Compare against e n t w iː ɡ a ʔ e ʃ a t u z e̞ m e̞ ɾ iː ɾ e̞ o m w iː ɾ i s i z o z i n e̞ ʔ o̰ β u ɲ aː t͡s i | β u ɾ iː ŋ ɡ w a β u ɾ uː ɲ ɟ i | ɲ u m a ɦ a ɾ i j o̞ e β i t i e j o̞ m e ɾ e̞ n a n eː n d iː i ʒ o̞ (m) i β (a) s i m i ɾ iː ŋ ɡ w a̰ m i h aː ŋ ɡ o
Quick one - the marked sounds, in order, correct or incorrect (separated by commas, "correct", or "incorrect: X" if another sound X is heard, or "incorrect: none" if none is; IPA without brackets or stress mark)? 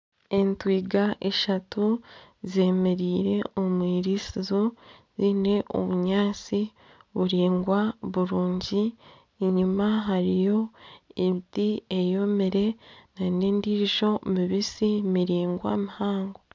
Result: correct, incorrect: i